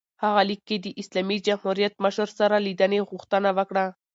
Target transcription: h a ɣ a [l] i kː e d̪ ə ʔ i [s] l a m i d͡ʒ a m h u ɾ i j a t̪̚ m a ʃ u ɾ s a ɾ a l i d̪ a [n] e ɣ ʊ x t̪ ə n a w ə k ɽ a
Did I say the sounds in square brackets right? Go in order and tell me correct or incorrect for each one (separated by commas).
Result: correct, correct, correct